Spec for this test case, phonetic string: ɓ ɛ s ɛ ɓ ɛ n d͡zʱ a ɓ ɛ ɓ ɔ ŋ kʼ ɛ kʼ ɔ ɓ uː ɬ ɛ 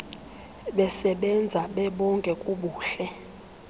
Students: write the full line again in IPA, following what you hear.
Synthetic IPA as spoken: ɓ ɛ s ɛ ɓ ɛ n d͡zʱ a ɓ ɛ ɓ ɔ ŋ kʼ ɛ kʼ u ɓ uː ɬ ɛ